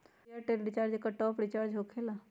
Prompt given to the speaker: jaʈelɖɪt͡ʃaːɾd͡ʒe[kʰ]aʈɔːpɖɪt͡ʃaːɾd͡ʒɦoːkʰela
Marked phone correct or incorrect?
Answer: incorrect